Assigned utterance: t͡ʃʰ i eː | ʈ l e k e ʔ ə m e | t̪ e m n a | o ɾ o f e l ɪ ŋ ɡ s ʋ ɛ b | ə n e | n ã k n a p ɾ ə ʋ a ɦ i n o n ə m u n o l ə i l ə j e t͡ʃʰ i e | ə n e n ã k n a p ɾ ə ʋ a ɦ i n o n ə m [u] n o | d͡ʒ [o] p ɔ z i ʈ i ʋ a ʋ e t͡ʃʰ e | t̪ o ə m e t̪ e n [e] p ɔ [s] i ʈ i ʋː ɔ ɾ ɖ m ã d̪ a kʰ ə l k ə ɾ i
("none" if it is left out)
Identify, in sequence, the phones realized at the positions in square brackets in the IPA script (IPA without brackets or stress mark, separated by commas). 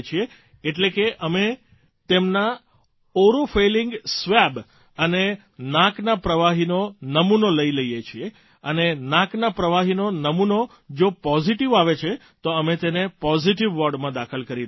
u, o, e, z